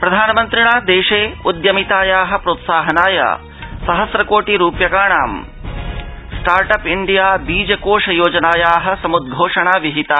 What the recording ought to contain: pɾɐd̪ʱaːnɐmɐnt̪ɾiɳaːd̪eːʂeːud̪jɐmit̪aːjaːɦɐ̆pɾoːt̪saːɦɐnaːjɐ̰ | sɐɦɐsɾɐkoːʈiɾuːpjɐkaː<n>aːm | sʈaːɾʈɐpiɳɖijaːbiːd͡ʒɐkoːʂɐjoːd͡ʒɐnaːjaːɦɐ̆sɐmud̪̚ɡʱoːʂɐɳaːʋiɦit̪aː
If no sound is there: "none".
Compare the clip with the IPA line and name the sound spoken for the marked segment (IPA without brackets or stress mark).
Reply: ɳ